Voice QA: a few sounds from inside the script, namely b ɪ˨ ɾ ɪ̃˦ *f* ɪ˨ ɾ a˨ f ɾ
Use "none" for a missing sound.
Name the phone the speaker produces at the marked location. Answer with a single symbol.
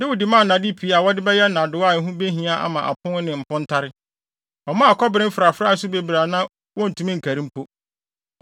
f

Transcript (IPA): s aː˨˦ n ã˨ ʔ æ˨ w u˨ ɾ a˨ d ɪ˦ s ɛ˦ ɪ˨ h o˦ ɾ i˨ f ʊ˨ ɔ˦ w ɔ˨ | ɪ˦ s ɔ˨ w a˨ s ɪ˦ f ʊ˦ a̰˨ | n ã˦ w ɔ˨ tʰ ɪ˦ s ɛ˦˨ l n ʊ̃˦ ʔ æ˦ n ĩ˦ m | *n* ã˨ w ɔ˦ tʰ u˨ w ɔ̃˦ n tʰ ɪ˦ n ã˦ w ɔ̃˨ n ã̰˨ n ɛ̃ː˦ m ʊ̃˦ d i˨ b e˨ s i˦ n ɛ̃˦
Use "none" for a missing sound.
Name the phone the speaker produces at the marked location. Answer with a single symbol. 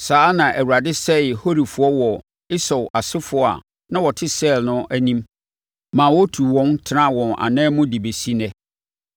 m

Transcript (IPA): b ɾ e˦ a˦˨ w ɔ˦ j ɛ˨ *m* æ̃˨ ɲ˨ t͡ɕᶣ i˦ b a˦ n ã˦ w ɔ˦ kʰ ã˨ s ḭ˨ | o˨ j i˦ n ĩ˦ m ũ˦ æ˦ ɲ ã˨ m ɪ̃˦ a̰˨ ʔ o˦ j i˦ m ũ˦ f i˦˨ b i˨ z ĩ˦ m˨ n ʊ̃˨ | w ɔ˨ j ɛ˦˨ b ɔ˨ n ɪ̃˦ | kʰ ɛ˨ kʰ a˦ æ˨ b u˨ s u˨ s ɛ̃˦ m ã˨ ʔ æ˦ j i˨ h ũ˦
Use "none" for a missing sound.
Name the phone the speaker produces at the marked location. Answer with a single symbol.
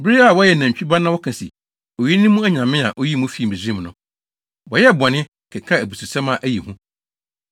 n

